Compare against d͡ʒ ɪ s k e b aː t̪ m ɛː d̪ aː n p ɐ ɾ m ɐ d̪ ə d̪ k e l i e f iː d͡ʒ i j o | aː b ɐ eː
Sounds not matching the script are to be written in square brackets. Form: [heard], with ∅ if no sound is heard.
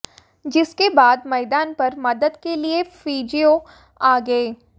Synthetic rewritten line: d͡ʒ ɪ s k e b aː [d̪] m ɛː d̪ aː n p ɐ ɾ m ɐ d̪ ə d̪ k e l i e f iː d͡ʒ i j o | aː [ɡ] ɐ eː